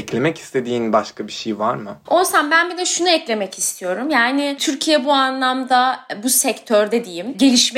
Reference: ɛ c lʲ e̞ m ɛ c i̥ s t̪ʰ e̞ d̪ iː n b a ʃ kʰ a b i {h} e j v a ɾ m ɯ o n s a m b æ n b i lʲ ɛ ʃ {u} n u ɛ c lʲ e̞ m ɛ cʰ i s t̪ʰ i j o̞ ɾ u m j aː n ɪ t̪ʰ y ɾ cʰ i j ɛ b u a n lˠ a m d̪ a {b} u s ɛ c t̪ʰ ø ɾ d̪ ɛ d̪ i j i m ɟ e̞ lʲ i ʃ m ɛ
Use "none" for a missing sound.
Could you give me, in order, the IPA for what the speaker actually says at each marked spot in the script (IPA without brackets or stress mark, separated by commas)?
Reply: ʃ, u, b